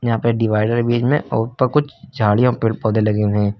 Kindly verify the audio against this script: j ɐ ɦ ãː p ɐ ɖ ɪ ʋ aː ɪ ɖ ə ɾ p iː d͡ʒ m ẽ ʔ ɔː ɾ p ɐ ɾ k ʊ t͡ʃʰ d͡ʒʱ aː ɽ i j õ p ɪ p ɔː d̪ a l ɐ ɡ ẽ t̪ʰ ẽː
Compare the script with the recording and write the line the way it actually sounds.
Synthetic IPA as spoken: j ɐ ɦ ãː p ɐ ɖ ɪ ʋ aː ɪ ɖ ə ɾ b iː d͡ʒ m ẽ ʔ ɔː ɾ p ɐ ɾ k ʊ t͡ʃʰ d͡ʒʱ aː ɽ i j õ p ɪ p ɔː d̪ e l ɐ ɡ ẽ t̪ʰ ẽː